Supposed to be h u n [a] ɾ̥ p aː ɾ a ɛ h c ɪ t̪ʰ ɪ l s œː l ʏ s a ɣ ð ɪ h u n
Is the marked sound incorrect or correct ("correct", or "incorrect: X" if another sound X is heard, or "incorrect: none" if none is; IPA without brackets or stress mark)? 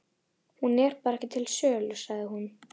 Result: incorrect: ɛ